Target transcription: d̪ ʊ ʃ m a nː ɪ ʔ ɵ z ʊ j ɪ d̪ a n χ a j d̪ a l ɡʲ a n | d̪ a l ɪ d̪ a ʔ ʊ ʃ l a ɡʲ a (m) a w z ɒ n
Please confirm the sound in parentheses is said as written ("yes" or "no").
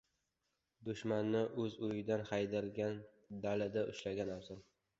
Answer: no